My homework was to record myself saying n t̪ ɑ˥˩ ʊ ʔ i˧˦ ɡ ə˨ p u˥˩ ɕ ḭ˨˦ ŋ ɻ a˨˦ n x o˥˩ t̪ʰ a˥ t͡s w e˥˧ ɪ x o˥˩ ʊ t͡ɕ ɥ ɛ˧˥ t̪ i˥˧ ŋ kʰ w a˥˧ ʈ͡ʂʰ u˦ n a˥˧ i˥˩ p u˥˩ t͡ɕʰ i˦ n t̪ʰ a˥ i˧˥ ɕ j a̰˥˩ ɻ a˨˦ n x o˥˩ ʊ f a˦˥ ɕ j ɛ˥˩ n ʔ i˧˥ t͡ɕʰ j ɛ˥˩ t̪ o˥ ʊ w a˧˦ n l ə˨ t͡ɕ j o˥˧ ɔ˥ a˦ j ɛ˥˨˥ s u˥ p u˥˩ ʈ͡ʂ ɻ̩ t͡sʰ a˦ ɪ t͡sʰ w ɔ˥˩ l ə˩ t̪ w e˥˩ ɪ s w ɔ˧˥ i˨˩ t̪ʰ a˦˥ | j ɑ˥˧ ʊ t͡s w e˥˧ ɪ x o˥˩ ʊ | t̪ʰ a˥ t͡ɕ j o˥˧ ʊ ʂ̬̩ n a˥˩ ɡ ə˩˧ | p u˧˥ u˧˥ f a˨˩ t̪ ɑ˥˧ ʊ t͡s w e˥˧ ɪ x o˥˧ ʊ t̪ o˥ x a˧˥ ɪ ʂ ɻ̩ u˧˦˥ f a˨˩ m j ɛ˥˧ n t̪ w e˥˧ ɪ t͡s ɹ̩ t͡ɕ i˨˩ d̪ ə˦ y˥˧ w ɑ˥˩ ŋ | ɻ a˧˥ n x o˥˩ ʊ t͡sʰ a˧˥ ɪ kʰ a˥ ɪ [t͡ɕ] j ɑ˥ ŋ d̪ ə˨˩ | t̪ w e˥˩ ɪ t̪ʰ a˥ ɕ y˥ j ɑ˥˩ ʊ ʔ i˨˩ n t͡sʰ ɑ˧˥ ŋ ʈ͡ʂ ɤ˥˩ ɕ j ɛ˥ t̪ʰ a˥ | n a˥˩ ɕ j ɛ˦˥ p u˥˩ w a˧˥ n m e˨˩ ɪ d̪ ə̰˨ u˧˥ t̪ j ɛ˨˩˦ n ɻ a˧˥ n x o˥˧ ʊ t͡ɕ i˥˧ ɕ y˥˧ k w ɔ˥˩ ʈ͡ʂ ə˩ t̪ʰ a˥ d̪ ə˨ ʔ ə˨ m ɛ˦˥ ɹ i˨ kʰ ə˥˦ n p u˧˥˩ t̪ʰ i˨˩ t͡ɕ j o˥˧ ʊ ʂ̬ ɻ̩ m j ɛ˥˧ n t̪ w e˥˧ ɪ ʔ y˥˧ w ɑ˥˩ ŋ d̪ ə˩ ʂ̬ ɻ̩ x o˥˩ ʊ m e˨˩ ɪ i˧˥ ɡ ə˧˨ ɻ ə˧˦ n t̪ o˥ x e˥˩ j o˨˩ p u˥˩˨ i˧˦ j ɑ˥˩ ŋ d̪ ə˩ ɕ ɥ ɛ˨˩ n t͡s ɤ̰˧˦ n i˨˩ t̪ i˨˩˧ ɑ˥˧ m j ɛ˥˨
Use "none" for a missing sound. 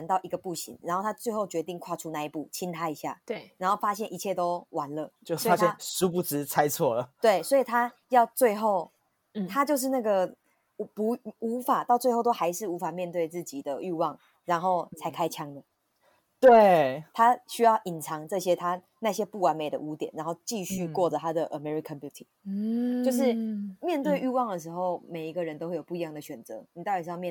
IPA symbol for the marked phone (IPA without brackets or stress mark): t͡ɕʰ